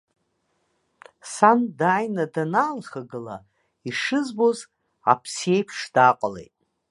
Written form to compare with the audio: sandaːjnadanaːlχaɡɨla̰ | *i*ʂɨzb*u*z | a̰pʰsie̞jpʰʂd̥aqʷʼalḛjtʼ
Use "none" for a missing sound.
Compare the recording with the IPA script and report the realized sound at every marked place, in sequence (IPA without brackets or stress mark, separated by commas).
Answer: i, o